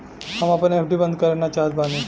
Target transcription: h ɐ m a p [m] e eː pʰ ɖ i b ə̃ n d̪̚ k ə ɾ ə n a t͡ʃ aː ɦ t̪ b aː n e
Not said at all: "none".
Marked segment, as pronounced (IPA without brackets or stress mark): n